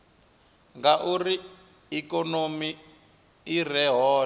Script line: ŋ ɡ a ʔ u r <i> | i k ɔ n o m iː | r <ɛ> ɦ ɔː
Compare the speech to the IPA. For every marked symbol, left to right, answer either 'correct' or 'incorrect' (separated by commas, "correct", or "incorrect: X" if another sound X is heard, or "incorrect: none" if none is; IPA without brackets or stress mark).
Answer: correct, correct